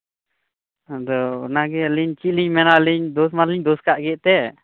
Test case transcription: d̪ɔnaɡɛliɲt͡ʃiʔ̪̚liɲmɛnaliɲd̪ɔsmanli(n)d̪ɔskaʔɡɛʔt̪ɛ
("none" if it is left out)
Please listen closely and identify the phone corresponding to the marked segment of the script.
ɲ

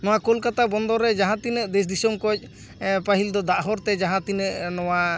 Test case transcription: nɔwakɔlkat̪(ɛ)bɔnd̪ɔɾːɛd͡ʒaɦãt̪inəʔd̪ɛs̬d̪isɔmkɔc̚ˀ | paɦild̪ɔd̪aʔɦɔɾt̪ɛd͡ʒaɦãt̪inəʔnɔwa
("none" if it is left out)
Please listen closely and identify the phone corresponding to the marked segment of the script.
a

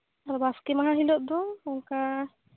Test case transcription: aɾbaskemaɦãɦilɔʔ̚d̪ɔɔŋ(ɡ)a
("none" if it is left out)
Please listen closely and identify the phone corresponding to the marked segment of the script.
k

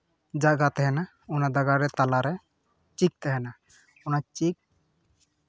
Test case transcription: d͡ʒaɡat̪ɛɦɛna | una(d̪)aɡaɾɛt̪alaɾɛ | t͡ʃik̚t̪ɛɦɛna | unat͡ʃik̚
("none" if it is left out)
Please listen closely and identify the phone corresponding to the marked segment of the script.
d̪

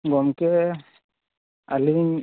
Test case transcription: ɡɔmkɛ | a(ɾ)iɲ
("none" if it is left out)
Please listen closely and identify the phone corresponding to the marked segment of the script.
l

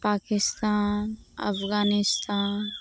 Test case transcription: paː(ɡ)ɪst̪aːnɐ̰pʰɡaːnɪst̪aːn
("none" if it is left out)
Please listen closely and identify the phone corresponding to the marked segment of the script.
k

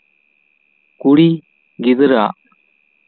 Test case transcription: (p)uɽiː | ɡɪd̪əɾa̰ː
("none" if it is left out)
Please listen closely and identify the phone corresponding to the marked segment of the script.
k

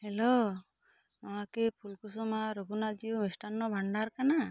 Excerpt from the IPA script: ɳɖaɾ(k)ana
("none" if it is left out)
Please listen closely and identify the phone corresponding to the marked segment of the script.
k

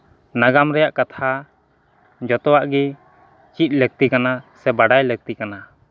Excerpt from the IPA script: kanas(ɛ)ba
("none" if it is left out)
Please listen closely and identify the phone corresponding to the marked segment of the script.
ɛ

